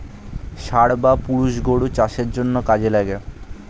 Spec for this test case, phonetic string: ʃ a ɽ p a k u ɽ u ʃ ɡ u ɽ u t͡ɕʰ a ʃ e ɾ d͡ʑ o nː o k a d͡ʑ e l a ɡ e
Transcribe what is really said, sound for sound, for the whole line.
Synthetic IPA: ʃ a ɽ b a p u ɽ u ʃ ɡ o ɽ u t͡ɕ a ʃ e ɾ d͡ʑ o nː o k a d͡ʑ e l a ɡ e